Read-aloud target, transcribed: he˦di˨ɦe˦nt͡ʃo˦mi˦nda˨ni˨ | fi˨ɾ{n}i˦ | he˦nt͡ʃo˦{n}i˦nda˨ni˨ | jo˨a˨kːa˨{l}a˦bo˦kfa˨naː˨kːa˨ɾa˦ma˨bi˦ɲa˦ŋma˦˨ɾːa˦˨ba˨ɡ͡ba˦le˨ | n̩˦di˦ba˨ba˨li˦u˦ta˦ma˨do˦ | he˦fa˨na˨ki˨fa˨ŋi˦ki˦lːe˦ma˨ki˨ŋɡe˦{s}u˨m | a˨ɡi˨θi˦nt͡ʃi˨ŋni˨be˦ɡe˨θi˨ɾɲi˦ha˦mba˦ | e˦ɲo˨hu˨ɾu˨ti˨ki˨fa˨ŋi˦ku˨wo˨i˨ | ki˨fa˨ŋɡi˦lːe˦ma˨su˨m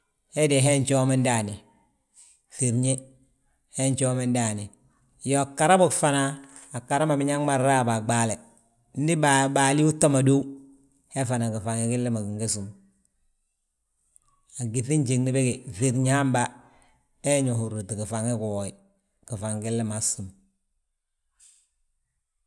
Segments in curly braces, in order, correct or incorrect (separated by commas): incorrect, incorrect, incorrect, correct